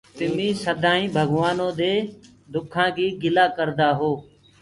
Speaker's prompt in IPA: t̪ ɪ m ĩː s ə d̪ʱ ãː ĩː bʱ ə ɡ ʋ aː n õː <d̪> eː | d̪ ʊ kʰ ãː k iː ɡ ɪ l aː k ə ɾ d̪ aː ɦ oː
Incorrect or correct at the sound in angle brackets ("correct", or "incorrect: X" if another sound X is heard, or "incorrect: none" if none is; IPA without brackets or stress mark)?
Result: correct